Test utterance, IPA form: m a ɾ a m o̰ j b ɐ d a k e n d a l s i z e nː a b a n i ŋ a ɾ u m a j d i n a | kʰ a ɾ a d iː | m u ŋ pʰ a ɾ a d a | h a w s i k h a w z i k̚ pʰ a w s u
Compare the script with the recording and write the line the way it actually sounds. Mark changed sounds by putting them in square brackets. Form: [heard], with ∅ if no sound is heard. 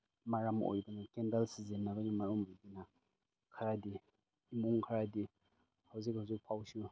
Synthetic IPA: m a ɾ a m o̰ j b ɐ [n] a k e n d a l s i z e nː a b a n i [m] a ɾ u m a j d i n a | kʰ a ɾ a d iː | m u ŋ [kʰ] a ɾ a d [i] | h a w [z] i k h a w z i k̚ pʰ a w s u